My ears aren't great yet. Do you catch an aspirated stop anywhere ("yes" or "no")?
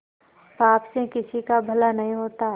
no